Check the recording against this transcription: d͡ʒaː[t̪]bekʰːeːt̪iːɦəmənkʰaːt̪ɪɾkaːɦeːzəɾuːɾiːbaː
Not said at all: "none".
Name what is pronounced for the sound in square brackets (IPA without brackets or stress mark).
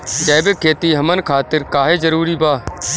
none